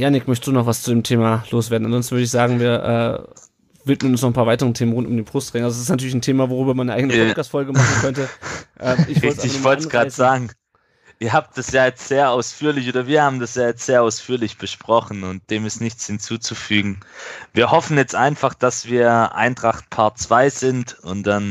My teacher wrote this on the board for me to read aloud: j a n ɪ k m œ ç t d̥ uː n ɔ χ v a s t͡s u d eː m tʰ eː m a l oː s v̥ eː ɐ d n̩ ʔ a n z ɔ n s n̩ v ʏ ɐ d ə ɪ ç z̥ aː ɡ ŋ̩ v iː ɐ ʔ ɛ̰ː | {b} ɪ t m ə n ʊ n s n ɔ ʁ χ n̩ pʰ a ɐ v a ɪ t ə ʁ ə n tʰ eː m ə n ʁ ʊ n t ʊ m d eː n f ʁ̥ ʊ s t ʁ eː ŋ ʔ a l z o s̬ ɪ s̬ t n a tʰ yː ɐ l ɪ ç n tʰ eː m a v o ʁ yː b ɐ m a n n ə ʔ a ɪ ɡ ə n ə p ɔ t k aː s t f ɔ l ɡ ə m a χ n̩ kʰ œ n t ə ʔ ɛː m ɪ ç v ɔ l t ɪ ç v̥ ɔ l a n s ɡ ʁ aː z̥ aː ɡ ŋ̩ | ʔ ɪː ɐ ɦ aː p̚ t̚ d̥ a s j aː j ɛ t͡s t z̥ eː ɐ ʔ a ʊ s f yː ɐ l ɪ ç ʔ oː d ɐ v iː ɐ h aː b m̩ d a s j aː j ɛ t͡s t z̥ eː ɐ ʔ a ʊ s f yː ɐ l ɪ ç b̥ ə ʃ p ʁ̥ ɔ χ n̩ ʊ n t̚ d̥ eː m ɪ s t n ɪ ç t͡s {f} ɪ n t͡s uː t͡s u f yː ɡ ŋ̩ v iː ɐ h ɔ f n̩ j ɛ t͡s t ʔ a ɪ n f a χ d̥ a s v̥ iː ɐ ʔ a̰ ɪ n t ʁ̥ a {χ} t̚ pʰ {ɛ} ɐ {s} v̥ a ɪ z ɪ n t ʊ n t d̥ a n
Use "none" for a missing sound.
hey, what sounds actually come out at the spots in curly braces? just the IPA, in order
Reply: v, h, χ, a, t͡s

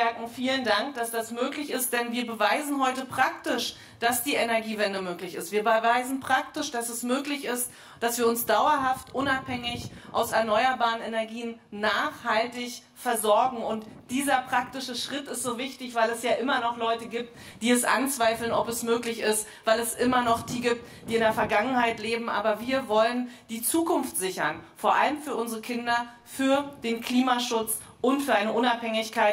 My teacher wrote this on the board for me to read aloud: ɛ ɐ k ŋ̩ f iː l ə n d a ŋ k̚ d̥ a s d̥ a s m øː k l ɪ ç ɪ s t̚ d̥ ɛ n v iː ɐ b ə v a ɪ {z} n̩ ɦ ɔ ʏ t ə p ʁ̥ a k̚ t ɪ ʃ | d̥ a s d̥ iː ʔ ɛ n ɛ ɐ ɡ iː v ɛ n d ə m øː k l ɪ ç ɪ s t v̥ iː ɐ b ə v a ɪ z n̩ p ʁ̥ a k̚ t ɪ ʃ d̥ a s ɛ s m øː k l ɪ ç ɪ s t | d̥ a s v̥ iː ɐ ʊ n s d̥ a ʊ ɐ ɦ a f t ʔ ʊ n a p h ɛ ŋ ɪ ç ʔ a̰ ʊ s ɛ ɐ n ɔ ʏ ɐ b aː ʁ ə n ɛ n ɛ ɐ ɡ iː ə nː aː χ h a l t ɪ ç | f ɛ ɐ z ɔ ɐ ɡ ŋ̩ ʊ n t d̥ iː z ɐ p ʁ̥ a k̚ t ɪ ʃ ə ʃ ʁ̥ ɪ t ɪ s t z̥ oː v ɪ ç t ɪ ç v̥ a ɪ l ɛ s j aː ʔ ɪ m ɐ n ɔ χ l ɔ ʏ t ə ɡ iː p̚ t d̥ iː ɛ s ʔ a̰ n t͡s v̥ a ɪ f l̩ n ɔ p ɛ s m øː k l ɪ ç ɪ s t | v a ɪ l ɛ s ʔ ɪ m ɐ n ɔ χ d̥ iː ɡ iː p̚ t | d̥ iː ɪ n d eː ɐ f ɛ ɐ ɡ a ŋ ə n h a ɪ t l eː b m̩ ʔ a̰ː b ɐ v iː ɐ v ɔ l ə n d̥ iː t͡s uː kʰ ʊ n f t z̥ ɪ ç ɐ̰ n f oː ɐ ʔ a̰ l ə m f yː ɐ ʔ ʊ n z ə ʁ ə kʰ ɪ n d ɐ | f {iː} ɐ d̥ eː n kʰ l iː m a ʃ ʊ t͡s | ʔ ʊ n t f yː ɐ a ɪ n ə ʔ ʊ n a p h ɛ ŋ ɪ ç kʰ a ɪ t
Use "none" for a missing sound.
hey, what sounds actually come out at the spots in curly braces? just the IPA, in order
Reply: z, yː

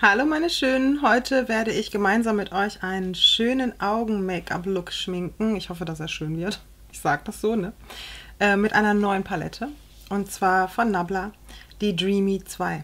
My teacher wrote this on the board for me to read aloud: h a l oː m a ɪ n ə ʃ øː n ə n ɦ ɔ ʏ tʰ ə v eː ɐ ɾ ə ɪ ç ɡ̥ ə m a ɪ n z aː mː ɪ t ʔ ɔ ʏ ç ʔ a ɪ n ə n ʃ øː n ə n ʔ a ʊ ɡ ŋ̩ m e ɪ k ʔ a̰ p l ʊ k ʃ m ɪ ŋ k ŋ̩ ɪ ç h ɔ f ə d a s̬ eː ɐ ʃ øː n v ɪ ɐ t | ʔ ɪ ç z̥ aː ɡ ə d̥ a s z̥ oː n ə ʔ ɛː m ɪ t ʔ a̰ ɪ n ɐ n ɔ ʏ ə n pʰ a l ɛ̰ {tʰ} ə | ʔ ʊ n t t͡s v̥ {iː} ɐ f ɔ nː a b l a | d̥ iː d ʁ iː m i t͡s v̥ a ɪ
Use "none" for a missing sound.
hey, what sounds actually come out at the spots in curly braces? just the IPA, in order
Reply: tʰ, aː

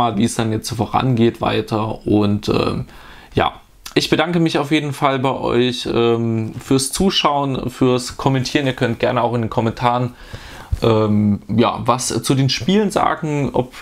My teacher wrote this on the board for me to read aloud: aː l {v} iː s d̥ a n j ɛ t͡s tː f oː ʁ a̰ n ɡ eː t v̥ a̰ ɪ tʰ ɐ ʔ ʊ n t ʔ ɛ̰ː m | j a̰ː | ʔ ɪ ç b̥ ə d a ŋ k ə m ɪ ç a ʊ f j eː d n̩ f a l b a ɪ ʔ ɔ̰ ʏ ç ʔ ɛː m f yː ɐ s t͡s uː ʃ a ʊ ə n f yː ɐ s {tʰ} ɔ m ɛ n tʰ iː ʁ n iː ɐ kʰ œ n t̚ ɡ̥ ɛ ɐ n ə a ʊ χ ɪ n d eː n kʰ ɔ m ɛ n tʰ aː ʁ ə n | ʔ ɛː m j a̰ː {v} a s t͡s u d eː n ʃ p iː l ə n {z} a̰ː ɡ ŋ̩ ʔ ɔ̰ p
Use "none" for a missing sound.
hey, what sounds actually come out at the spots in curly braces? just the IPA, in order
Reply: v, kʰ, v, z

